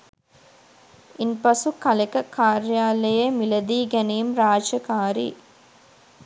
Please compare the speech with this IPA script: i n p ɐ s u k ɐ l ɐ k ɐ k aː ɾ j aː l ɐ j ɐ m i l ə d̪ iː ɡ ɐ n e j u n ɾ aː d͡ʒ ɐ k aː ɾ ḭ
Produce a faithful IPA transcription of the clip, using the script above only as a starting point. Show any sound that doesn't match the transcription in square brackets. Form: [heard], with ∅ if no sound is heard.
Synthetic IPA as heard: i n p ɐ s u k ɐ l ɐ k ɐ k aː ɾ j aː l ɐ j ɐ m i l [ɐ] d̪ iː ɡ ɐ n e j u [m] ɾ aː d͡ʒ ɐ k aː ɾ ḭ